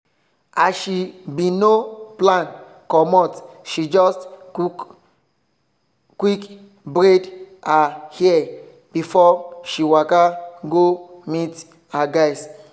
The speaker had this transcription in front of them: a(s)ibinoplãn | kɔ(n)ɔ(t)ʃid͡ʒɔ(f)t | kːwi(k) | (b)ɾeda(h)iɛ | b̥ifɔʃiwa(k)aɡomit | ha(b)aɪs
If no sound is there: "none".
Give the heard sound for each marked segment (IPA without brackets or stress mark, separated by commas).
ʃ, m, t, s, k, b, h, k, ɡ